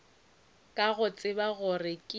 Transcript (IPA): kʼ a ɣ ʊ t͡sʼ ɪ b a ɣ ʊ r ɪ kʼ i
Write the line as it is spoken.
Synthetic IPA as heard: kʼ a ɣ ʊ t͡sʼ ɪ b a ɣ ʊ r ɪ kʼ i